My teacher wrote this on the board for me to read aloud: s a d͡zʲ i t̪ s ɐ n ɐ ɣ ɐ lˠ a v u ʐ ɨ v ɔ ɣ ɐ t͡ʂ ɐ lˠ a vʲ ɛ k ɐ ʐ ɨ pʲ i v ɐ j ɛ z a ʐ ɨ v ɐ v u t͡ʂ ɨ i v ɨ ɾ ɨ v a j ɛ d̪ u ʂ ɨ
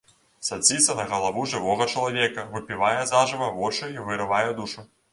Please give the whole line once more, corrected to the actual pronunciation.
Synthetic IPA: s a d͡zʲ i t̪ s ɐ n ɐ ɣ ɐ lˠ a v u ʐ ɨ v ɔ ɣ ɐ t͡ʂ ɐ lˠ a vʲ ɛ k ɐ v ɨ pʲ i v a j ɛ z a ʐ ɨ v ɐ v ɔ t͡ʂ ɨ i v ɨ ɾ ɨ v a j ɛ d̪ u ʂ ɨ